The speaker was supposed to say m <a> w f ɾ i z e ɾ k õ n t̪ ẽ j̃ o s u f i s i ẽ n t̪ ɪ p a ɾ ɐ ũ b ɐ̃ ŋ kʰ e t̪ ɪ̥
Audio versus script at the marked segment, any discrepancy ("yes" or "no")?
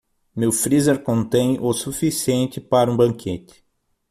yes